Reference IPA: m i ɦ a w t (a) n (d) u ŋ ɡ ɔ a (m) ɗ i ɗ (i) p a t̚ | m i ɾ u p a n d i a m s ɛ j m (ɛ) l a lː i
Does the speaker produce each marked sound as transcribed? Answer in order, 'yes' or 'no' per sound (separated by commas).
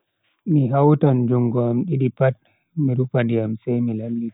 yes, no, yes, yes, no